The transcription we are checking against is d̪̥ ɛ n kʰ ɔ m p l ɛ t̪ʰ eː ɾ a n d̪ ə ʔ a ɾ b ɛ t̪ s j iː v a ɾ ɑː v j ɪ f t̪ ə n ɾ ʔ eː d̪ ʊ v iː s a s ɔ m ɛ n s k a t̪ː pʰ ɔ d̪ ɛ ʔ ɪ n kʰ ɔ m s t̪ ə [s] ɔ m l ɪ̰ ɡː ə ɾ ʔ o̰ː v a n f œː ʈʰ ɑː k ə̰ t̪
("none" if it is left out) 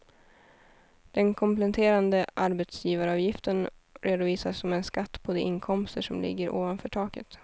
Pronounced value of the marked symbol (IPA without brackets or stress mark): ʂ